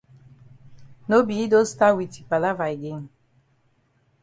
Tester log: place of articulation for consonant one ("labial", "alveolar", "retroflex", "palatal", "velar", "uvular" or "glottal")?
alveolar